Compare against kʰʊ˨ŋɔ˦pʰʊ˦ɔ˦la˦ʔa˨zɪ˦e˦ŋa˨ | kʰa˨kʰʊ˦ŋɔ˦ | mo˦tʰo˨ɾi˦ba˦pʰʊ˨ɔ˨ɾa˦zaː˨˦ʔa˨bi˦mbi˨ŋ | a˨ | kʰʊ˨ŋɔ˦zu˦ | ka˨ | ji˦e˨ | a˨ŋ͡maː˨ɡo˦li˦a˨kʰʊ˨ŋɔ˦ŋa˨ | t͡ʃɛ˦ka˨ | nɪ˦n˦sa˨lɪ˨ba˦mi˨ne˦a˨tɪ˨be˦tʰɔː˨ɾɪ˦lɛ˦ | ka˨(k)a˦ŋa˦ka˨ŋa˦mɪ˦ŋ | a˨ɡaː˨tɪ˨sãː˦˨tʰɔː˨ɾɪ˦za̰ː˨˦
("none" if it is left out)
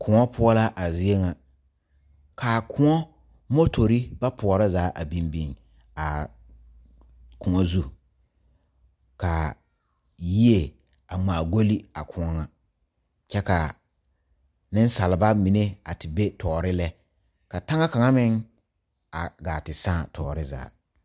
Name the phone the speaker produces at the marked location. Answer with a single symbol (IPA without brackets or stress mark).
t